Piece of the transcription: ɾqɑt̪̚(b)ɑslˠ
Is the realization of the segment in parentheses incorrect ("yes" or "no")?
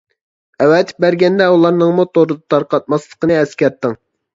yes